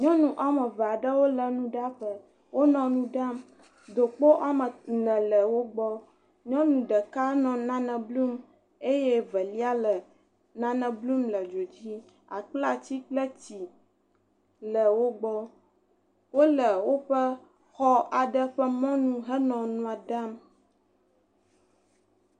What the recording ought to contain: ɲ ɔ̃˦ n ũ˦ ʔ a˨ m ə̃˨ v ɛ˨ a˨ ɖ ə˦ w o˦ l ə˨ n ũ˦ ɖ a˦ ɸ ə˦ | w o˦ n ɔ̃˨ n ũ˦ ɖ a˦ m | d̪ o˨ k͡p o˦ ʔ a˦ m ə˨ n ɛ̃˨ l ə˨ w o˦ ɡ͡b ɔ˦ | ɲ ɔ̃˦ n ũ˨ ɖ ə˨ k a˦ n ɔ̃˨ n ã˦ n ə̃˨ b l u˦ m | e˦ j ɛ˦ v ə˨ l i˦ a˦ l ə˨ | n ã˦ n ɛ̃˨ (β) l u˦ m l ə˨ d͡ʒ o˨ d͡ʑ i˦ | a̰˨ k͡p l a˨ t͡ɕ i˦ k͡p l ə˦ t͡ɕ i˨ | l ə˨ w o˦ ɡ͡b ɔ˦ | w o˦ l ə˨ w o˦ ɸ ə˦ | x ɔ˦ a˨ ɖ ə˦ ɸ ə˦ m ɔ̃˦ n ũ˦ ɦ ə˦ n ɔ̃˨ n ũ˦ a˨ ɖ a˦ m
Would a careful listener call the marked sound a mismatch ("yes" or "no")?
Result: yes